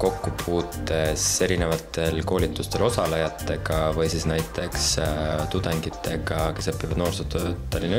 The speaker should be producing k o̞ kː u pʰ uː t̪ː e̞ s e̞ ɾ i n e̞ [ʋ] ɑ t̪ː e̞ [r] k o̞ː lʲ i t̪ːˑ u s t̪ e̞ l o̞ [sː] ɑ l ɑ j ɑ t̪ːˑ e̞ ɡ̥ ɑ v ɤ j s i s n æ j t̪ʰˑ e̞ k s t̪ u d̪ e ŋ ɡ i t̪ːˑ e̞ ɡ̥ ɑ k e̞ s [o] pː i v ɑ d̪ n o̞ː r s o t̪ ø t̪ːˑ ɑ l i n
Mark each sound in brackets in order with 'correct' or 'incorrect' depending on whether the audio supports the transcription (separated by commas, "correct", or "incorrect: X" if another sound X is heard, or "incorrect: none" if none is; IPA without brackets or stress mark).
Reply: incorrect: v, incorrect: l, incorrect: s, incorrect: ɤ